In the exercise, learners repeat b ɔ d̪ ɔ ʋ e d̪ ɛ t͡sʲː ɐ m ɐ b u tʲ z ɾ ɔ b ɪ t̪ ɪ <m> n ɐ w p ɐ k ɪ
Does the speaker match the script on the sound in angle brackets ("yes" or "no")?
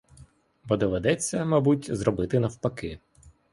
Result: no